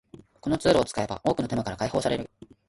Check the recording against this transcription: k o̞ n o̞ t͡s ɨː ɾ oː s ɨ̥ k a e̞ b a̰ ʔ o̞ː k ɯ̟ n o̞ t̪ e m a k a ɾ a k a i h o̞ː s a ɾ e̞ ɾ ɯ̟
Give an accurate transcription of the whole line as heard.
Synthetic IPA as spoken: k o̞ n o̞ t͡s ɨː ɾ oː t͡s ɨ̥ k a e̞ b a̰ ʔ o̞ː k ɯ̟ n o̞ t̪ e m a k a ɾ a k a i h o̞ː s a ɾ e̞ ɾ ɯ̟